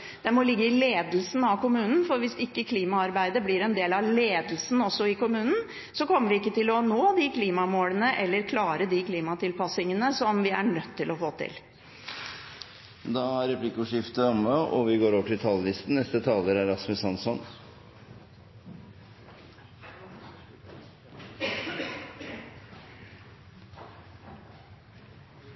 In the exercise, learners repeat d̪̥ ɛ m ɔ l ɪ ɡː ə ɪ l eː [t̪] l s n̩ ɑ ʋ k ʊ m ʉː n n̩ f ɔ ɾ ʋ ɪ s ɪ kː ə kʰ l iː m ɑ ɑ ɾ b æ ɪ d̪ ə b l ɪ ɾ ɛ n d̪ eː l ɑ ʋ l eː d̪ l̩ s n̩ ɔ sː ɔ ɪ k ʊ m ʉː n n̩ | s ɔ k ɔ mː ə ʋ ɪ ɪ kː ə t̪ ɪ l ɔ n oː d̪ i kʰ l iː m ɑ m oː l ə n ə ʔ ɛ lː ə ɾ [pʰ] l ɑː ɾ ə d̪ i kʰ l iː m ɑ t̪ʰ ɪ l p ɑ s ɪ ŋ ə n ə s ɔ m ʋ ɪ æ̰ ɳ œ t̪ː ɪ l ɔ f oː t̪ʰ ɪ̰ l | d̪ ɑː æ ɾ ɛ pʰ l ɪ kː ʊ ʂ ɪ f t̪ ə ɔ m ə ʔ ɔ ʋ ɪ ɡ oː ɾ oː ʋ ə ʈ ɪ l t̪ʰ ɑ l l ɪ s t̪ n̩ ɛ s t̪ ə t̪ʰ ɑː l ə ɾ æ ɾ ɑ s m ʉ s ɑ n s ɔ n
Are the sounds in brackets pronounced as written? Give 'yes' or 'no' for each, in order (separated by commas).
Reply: no, no